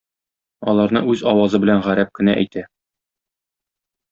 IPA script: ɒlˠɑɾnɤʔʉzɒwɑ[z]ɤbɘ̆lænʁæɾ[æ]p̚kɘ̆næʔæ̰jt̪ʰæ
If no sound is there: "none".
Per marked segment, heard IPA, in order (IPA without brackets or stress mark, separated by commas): z, æ